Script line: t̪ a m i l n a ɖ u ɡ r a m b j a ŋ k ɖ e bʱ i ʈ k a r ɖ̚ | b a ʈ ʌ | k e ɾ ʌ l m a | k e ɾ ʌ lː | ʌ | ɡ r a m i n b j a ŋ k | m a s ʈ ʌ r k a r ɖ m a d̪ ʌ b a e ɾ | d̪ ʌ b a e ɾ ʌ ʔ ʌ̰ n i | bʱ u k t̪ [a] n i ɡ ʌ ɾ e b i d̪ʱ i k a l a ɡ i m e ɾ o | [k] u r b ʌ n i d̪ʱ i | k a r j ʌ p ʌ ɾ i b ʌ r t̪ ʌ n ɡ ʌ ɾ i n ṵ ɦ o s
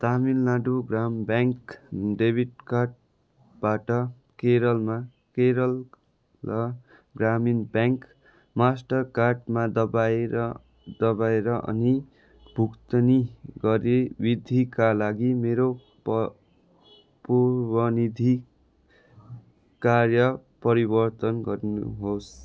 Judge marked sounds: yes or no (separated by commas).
no, no